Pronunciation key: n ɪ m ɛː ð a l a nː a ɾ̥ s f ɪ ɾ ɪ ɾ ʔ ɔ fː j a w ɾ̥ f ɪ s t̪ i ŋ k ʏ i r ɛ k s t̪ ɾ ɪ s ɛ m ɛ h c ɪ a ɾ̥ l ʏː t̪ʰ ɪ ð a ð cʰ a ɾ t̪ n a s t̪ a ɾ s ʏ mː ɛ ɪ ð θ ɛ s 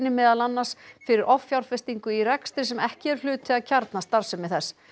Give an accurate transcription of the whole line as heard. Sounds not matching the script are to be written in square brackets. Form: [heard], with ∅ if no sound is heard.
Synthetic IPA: n ɪ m ɛː ð a l a nː a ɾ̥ s f ɪ ɾ ɪ ɾ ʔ ɔ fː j a w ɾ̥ f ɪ s t̪ i ŋ k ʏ i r ɛ k s t̪ ɾ ɪ s ɛ m ɛ h c ɪ [ɛ] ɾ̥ l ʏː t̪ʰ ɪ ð a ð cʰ a ɾ t̪ n a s t̪ a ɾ s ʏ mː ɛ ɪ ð θ ɛ s